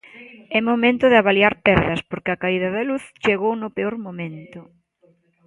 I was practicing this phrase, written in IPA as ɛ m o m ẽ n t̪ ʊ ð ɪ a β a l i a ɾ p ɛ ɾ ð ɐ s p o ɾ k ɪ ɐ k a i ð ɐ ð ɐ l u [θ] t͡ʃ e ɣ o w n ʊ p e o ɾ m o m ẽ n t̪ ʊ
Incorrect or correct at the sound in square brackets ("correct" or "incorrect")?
correct